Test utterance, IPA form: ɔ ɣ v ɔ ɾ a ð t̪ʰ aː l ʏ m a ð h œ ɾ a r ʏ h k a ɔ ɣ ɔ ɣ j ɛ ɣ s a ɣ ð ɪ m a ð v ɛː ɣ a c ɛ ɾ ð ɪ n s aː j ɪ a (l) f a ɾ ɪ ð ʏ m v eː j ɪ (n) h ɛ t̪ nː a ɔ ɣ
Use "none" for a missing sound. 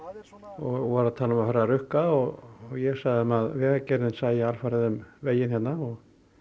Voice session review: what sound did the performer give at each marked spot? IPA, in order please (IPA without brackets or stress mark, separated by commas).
l, n